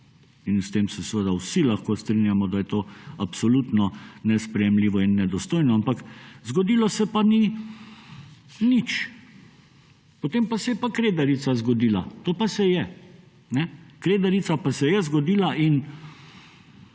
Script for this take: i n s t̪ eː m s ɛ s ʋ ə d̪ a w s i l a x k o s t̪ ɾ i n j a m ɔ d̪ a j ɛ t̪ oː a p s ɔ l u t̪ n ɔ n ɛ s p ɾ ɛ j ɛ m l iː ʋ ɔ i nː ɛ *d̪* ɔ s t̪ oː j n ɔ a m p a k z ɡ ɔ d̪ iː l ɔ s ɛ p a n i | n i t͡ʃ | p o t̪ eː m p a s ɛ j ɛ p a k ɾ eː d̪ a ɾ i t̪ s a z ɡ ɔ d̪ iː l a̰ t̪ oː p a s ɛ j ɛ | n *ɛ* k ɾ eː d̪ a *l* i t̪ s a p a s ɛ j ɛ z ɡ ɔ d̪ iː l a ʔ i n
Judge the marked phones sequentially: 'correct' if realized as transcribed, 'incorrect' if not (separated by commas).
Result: correct, correct, incorrect